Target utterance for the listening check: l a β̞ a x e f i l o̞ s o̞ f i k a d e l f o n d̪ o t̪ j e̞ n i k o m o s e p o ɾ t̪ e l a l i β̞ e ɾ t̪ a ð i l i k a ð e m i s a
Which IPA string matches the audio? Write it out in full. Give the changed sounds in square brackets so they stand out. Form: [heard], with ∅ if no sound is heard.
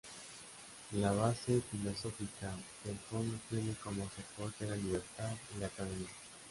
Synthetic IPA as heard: l a β̞ a [s] e f i l o̞ s o̞ f i k a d e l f o n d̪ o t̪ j e̞ n [e] k o m o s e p o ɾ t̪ e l a l i β̞ e ɾ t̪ a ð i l [a] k a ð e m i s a